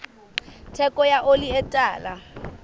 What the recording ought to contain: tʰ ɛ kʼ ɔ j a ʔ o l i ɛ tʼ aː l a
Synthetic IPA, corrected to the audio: tʰ ɛ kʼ ɔ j a ʔ o l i ɛ tʼ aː l a